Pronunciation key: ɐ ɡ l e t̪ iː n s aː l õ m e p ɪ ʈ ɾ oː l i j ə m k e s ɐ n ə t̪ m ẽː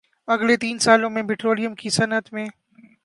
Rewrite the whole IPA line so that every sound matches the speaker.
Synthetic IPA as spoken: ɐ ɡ l e t̪ iː n s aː l õ m ẽ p ɪ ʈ ɾ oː l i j ə m k i s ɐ n ə t̪ m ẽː